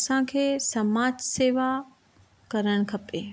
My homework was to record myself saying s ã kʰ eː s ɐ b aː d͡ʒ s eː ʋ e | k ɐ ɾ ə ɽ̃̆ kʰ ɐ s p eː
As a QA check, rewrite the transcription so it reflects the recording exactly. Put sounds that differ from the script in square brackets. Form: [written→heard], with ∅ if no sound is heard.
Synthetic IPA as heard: s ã kʰ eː s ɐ [b→m] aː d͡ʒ s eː ʋ [e→a] | k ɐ ɾ ə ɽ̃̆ kʰ ɐ [s→∅] p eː